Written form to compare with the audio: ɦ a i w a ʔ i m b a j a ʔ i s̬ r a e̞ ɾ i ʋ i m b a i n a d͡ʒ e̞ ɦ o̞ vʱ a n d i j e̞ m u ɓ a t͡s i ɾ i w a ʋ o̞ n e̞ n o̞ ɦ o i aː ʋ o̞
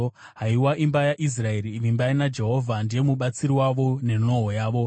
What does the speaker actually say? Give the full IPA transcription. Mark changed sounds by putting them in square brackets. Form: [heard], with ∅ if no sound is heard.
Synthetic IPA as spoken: ɦ a i w a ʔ i m b a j a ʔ i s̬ r a e̞ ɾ i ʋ i m b a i n a d͡ʒ e̞ ɦ o̞ vʱ a n d i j e̞ m u ɓ a t͡s i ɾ i w a ʋ o̞ n e̞ n o̞ ɦ o [j] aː ʋ o̞